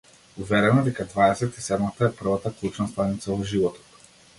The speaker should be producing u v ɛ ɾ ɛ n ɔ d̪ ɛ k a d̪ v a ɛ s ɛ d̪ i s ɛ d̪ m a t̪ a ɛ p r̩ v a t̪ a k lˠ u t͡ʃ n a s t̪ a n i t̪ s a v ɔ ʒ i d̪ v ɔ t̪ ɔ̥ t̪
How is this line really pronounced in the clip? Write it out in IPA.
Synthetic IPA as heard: u v ɛ ɾ ɛ n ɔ d̪ ɛ k a d̪ v a ɛ s ɛ t̪ i s ɛ d̪ m a t̪ a ɛ p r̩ v a t̪ a k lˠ u t͡ʃ n a s t̪ a n i t̪ s a v ɔ ʒ i v ɔ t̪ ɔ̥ t̪

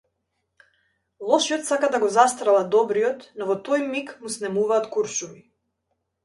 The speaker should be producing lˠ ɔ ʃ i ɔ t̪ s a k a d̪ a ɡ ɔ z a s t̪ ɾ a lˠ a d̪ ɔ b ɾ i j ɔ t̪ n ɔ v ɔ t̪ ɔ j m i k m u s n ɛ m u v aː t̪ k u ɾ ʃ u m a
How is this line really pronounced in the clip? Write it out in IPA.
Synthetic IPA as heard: lˠ ɔ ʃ i ɔ t̪ s a k a d̪ a ɡ ɔ z a s t̪ ɾ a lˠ a d̪ ɔ b ɾ i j ɔ t̪ n ɔ v ɔ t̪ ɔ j m i k m u s n ɛ m u v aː t̪ k u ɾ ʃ u m i

